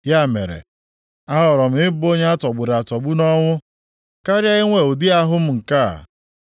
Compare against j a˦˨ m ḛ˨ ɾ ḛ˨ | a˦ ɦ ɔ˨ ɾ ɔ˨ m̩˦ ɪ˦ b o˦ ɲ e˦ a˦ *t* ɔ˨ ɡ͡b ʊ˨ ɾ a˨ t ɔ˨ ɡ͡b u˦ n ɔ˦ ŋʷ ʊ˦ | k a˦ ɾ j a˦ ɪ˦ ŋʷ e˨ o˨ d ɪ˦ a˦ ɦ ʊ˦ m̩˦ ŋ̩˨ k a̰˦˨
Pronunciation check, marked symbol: correct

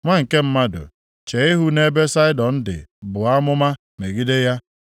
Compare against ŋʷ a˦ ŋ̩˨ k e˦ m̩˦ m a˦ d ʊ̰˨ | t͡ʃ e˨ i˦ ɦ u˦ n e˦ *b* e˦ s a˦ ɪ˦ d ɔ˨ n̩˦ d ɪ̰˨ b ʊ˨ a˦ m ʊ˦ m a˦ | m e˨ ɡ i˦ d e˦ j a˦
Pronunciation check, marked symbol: correct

